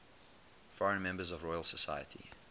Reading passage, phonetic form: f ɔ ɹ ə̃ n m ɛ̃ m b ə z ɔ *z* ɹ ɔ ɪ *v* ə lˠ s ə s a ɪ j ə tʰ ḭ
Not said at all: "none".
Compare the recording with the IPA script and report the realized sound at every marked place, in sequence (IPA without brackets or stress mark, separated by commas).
v, none